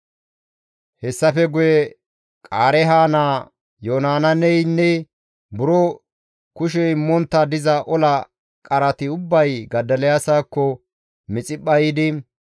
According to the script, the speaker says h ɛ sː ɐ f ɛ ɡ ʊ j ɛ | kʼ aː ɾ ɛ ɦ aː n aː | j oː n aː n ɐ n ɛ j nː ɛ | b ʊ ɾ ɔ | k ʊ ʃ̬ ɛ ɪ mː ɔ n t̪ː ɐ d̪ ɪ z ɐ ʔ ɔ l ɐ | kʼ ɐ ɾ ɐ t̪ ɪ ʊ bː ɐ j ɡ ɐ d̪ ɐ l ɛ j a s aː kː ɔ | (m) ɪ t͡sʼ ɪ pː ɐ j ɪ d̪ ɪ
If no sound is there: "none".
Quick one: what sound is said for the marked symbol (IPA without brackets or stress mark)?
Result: m